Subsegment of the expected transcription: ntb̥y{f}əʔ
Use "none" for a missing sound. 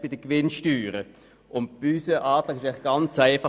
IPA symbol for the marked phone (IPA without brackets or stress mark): s